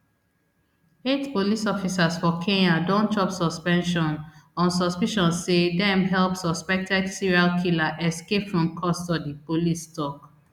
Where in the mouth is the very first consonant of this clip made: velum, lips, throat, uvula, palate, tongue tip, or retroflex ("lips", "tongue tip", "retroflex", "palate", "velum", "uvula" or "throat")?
tongue tip